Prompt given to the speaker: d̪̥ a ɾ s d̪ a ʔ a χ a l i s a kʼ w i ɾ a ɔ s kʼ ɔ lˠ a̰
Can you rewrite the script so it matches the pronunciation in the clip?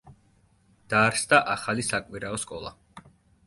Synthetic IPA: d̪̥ a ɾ s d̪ a ʔ a χ a l i s a kʼ w i ɾ a ɔ s kʼ ɔ lˠ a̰